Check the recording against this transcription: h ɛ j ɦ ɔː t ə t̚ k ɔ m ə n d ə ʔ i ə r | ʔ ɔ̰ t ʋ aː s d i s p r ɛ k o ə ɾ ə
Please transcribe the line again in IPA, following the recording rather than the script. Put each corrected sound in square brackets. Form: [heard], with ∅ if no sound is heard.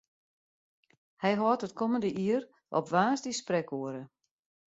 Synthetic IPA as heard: h ɛ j ɦ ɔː t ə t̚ k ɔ m ə n d ə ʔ i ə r | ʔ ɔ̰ [p] ʋ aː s d i s p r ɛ k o ə ɾ ə